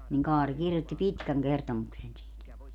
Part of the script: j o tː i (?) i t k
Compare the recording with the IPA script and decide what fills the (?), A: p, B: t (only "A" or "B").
A